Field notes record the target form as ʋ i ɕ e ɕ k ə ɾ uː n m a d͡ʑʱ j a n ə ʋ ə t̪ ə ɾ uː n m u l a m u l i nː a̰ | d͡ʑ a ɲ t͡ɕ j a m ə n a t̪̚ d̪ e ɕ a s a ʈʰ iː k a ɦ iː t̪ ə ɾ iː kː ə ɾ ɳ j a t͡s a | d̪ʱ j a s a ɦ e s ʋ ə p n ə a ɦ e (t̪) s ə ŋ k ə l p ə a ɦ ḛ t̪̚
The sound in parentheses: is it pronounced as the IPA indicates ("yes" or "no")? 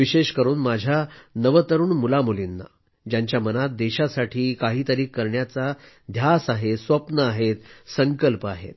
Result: yes